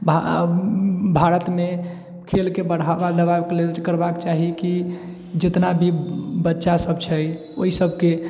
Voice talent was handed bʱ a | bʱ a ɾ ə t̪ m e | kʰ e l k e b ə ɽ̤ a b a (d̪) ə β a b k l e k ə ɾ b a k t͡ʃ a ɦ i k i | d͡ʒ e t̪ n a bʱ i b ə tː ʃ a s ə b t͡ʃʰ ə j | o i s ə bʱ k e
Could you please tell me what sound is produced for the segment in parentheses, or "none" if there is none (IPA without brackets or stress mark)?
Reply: d̪